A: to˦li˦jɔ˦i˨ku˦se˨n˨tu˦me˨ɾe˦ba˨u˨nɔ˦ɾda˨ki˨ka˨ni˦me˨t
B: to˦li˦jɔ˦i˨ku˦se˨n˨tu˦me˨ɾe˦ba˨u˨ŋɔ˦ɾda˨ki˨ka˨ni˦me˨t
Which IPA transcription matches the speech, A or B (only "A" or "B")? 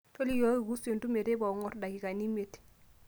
B